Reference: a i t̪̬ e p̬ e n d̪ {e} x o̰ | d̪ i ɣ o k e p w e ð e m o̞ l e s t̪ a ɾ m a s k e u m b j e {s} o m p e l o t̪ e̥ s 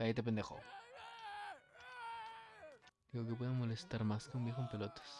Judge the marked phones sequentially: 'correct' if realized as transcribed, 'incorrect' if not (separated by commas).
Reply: correct, incorrect